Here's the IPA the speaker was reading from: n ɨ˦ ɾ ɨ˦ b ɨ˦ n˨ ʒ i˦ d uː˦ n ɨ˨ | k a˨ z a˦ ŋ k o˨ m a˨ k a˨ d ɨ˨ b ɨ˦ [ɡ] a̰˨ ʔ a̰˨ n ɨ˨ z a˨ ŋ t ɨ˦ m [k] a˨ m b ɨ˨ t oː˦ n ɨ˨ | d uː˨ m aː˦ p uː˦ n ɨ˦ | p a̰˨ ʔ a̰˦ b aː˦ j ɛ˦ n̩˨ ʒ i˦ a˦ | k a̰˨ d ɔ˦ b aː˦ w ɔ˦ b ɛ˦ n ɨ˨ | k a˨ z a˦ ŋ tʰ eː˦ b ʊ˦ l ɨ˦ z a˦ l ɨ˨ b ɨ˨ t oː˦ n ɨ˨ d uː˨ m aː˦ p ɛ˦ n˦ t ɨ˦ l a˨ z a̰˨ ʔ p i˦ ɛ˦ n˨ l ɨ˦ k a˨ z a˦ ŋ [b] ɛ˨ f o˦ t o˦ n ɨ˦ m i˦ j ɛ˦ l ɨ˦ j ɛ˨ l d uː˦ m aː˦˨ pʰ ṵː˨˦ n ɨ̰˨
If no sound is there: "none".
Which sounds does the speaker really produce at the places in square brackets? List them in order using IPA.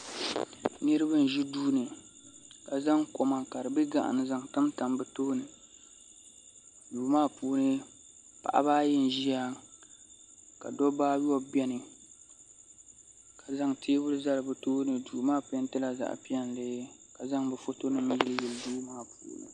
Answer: ɡ, t, b

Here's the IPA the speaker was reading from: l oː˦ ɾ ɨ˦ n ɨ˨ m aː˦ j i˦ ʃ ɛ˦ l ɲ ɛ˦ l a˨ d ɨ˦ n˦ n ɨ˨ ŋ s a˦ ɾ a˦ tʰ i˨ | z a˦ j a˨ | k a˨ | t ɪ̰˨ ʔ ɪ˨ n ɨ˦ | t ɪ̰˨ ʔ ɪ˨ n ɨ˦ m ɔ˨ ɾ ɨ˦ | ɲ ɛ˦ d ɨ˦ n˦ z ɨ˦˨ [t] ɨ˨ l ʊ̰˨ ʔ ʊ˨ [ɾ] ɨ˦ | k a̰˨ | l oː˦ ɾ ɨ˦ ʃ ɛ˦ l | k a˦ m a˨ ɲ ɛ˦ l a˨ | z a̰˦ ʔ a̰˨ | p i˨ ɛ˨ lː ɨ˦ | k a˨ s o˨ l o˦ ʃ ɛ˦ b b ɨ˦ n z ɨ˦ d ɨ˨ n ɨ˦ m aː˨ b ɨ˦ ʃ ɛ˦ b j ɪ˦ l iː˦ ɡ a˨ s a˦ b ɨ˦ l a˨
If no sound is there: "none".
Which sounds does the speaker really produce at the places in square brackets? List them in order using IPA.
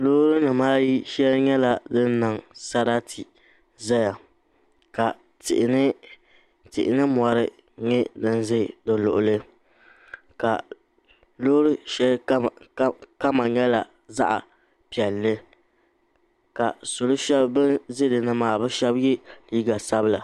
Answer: d, l

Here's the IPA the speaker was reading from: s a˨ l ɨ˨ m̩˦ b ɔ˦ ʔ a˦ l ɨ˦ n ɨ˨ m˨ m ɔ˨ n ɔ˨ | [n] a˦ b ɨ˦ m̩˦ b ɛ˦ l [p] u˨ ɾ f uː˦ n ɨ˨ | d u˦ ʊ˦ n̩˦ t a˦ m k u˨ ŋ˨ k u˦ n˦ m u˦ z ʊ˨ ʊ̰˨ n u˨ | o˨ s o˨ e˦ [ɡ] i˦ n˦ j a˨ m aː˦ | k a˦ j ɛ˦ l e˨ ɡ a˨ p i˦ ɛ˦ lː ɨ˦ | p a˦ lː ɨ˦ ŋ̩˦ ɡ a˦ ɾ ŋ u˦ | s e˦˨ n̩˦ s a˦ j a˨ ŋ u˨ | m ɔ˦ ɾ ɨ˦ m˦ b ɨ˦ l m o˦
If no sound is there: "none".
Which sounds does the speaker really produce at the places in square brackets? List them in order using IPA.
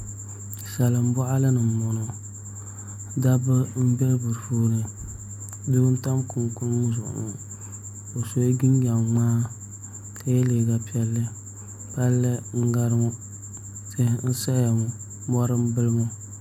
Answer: d, b, ɡ

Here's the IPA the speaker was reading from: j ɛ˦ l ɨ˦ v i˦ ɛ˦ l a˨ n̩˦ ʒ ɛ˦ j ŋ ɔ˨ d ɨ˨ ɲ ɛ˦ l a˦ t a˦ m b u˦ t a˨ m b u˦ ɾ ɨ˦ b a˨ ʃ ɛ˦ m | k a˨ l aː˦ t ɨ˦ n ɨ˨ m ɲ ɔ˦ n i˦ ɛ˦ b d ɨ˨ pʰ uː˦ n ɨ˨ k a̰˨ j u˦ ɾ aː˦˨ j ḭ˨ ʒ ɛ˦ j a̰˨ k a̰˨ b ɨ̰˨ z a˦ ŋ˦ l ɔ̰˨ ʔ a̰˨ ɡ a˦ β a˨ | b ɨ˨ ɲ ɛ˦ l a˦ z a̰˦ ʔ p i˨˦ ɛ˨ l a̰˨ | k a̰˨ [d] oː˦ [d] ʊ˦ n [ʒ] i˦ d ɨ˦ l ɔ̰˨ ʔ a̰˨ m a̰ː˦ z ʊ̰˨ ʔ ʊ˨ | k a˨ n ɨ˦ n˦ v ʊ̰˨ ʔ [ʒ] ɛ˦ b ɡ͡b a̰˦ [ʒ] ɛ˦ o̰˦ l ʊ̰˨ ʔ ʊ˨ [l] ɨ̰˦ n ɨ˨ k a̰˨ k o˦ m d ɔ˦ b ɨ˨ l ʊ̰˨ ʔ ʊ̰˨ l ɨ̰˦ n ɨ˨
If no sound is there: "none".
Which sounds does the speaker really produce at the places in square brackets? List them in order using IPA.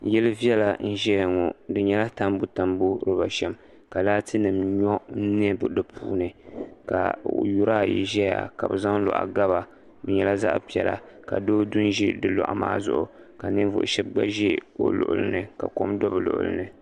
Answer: d, d, ʒ, ʃ, ʒ, l

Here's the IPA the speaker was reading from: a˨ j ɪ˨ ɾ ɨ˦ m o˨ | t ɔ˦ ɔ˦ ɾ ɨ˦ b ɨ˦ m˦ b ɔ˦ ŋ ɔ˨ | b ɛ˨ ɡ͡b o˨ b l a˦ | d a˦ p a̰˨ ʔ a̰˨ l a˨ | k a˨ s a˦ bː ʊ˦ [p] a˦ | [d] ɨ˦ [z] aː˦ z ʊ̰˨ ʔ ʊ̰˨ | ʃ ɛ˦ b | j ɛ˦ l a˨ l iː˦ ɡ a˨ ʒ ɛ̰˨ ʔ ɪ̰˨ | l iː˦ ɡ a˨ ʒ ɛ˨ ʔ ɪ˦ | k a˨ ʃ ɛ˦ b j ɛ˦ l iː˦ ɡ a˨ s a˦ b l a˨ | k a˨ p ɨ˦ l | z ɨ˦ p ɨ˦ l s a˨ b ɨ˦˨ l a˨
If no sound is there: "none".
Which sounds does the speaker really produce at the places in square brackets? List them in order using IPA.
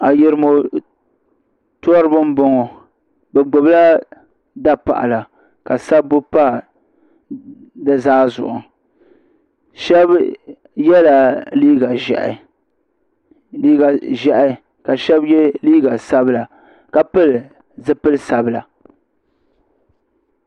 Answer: p, d, z

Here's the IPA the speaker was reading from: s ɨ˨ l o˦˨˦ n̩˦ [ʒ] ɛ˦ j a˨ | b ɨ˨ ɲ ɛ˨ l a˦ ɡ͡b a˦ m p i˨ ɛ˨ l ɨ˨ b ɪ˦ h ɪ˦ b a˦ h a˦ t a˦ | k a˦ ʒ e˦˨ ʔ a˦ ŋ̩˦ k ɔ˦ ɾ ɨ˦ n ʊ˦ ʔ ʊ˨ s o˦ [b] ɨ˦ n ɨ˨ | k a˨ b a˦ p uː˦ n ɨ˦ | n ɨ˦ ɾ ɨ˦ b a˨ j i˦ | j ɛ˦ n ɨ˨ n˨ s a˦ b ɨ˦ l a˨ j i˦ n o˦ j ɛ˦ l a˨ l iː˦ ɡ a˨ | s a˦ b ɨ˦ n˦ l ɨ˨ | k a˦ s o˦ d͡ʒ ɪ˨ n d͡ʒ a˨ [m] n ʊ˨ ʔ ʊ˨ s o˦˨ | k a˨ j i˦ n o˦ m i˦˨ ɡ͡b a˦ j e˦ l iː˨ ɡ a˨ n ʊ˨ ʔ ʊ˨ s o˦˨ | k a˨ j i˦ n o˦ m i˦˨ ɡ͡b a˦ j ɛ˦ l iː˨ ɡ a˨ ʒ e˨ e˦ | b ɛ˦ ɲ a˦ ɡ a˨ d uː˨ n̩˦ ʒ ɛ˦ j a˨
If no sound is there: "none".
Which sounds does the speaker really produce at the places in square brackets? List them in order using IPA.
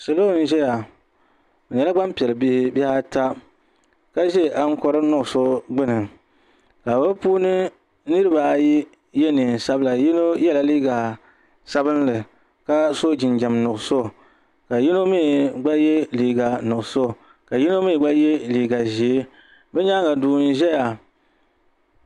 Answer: ʒ, ɡ͡b, m

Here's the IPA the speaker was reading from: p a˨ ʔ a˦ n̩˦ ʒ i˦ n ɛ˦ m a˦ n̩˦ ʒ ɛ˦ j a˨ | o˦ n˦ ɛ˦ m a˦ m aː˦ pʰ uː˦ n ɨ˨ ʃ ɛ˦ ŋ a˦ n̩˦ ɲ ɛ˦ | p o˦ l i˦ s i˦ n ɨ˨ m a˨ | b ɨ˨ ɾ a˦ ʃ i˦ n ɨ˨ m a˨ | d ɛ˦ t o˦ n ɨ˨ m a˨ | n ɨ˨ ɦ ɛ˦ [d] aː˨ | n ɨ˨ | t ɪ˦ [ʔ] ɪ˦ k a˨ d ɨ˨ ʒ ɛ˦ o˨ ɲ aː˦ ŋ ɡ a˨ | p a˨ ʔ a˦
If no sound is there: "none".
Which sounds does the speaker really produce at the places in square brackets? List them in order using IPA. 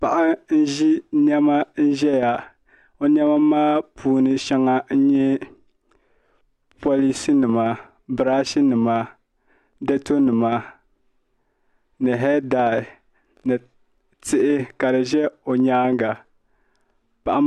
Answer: d, ʔ

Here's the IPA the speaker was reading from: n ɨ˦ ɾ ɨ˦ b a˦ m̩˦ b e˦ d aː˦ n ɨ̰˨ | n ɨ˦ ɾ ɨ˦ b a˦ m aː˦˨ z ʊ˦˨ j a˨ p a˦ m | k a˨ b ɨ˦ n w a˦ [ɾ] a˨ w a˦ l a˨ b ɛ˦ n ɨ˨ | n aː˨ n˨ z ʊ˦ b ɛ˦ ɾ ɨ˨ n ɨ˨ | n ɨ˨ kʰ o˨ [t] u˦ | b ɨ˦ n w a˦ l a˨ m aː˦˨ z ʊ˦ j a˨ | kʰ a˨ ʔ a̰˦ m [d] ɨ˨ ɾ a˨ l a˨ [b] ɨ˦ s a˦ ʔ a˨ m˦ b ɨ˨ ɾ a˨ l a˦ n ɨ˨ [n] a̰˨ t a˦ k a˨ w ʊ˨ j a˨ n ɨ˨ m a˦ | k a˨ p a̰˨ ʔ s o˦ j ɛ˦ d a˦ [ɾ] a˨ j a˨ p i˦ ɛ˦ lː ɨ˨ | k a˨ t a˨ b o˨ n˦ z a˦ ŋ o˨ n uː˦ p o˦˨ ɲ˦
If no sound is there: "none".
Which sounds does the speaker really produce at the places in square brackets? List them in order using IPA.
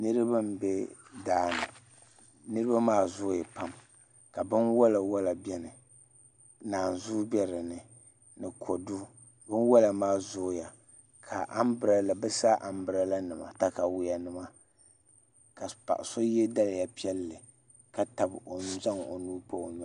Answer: l, d, b, b, m, l

